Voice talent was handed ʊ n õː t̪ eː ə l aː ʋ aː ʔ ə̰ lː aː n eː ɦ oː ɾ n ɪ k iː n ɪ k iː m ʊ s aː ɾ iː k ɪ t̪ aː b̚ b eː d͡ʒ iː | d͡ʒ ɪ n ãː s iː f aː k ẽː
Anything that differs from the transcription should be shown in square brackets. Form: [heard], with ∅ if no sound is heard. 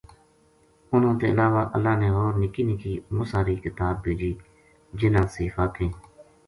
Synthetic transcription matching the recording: ʊ n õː t̪ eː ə l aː ʋ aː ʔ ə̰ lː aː n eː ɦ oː ɾ n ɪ k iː n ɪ k iː m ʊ s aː ɾ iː k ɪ t̪ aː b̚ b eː d͡ʒ iː | d͡ʒ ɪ n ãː s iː f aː k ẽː